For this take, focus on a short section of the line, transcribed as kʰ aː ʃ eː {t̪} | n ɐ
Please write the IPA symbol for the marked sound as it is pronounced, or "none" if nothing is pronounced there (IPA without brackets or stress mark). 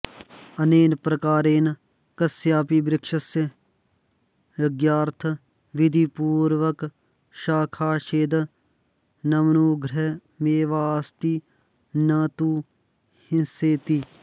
d̪